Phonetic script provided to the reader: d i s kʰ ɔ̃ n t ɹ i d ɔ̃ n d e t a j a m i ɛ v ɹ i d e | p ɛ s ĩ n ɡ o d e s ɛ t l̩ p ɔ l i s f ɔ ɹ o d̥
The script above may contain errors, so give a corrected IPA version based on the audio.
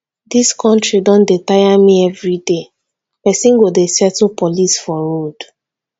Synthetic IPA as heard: d i s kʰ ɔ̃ n t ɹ i d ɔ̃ n d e t a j a m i ɛ v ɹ i d e | p ɛ s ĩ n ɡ o d e s ɛ t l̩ p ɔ l i s f ɔ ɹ o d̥